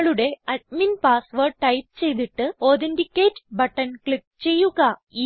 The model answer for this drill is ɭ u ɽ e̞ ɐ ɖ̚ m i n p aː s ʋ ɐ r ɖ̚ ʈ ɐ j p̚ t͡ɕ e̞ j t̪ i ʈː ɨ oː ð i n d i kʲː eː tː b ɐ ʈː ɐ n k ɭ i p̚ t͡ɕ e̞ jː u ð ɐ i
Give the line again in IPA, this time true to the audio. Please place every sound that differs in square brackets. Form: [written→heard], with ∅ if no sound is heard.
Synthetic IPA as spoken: ɭ u ɽ e̞ ɐ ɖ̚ m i n p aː s ʋ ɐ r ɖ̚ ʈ ɐ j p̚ t͡ɕ e̞ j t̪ i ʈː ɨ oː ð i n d i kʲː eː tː b ɐ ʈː ɐ n k ɭ i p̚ t͡ɕ e̞ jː u [ð→ɣ] ɐ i